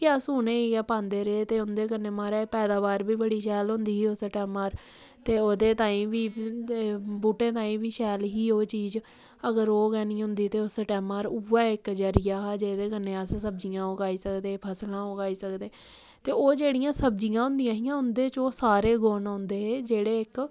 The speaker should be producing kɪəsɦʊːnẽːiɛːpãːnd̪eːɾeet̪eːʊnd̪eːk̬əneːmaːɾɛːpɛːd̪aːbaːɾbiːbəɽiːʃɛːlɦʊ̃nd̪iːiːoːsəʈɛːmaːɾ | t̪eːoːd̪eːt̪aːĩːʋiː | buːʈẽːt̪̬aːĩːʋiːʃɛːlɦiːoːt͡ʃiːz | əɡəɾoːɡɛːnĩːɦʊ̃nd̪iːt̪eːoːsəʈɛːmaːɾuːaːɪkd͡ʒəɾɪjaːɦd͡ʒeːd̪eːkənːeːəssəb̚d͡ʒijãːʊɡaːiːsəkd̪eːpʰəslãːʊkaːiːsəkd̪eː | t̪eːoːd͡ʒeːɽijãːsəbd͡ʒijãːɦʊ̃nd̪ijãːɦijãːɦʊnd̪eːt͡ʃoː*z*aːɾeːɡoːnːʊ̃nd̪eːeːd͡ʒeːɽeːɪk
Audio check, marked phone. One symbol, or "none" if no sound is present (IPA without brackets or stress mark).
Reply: s